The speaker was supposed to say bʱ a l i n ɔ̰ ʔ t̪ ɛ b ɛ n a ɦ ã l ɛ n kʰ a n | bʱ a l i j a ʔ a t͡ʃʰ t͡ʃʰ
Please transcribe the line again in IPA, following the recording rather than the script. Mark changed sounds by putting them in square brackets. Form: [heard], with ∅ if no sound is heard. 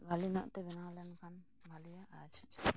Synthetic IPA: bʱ a l i n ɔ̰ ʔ t̪ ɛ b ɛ n a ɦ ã l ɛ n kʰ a n | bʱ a l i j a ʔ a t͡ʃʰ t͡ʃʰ